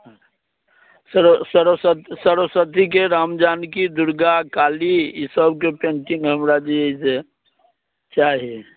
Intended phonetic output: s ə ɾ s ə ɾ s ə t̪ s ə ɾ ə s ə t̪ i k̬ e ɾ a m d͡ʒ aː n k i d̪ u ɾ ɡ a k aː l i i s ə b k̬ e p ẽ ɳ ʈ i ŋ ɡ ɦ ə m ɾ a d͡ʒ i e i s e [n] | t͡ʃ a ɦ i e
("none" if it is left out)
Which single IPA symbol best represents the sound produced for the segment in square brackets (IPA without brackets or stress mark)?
none